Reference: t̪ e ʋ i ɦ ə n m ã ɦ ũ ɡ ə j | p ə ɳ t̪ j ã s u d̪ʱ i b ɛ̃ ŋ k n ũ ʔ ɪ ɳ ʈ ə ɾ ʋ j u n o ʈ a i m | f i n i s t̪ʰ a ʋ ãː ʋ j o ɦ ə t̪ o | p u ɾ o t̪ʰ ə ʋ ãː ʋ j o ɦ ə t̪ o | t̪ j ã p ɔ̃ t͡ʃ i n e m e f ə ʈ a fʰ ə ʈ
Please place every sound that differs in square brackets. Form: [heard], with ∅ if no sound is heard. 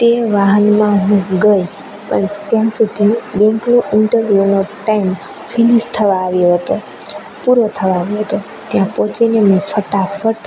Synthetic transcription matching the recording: t̪ e ʋ [a] ɦ ə n m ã ɦ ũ ɡ ə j | p ə ɳ t̪ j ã s u d̪ʱ i b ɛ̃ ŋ k n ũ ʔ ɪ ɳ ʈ ə ɾ ʋ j u n o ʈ a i m | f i n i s t̪ʰ [ə] ʋ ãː ʋ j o ɦ ə t̪ o | p u ɾ o t̪ʰ ə ʋ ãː ʋ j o ɦ ə t̪ o | t̪ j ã p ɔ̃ t͡ʃ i n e m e f ə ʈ a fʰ ə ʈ